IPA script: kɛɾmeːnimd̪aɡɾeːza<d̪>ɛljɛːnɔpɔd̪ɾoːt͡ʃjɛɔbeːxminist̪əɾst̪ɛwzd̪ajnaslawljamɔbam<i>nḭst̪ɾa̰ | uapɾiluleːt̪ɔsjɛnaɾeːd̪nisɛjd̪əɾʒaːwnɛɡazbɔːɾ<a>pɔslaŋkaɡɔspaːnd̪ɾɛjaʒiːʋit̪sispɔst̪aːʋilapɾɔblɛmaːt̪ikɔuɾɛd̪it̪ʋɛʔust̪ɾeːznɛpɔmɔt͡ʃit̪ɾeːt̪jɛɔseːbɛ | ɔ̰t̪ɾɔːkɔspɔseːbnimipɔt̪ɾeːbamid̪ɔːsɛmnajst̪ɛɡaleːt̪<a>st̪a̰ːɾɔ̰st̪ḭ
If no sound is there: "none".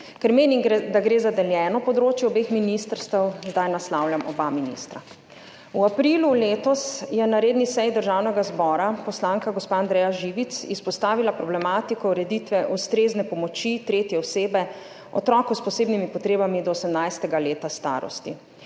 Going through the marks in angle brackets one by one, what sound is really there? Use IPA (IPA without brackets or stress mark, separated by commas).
d̪, i, a, a